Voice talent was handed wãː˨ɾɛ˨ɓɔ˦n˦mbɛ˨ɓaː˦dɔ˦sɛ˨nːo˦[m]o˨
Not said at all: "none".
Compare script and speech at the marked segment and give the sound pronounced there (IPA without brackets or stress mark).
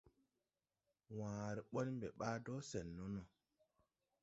n